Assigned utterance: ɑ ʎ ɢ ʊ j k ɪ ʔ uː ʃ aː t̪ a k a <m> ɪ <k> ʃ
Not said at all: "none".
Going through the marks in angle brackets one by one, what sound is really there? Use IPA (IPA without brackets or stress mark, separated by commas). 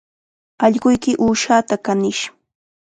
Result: n, none